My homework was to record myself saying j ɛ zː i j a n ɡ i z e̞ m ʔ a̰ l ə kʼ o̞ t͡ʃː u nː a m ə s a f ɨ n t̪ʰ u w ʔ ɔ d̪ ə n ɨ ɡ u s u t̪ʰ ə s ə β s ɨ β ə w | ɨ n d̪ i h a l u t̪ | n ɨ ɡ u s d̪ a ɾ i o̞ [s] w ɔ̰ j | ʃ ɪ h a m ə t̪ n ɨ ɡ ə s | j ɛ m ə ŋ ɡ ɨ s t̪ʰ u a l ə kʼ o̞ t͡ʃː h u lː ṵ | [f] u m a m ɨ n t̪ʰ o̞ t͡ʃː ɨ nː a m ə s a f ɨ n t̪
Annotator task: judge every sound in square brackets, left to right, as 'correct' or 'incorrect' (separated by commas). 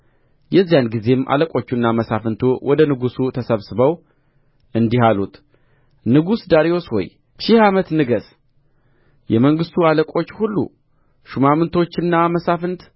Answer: correct, incorrect